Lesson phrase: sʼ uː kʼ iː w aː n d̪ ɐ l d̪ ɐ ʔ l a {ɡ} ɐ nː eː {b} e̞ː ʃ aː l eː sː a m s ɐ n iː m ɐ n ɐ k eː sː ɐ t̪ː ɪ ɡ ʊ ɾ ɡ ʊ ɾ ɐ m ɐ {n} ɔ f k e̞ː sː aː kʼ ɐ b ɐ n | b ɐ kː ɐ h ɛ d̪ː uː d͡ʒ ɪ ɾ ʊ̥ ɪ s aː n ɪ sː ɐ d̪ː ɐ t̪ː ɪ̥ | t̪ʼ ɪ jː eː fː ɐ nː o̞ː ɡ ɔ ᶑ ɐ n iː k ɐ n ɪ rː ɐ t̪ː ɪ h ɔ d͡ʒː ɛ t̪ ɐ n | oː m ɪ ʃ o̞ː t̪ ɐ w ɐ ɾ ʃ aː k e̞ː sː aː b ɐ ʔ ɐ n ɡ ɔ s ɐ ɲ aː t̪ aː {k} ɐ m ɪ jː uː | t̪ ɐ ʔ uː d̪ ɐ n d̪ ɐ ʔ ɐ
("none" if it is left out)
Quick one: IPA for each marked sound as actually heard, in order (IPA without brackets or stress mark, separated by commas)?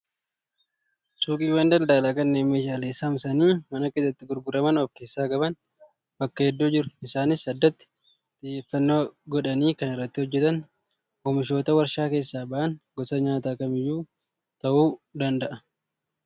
k, m, n, k